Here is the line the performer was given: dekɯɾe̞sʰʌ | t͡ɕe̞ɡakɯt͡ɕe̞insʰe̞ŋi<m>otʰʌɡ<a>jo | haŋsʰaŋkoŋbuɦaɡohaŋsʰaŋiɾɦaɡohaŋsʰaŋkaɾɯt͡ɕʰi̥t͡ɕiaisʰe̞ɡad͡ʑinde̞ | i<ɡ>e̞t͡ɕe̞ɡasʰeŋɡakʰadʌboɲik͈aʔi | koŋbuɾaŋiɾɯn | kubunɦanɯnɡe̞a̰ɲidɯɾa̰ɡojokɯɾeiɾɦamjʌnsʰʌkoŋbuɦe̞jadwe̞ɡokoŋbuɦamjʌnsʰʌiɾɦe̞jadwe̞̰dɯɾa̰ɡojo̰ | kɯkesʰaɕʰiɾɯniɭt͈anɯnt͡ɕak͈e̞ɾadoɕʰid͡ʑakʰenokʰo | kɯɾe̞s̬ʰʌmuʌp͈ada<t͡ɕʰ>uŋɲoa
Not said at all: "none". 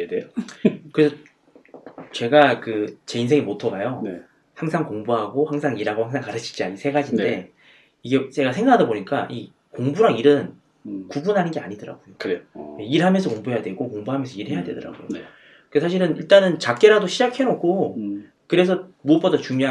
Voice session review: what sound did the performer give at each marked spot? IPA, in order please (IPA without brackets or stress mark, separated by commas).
m, a, ɡ, t͡ɕ